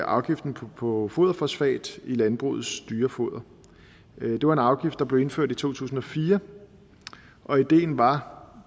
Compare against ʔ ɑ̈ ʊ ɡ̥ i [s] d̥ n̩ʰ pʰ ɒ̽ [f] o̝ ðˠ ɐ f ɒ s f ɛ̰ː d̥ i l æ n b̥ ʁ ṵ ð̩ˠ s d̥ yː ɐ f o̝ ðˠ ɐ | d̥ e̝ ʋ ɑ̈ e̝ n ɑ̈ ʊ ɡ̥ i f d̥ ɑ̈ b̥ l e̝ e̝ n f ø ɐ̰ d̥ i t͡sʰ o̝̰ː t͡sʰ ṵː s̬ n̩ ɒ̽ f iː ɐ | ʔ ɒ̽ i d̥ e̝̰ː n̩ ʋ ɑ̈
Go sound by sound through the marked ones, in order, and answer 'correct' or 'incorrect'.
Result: incorrect: f, correct

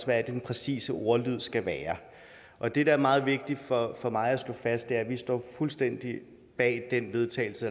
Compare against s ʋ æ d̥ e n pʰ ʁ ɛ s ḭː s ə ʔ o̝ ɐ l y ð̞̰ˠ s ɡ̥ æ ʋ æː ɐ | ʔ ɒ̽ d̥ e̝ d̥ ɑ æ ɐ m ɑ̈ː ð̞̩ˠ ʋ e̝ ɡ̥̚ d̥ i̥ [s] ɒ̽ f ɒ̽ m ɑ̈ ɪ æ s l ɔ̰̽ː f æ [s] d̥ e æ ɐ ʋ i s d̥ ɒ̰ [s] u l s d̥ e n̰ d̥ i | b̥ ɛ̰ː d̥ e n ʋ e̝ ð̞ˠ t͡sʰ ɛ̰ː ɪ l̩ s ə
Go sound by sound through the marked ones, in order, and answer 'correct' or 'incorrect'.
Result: incorrect: f, correct, incorrect: f

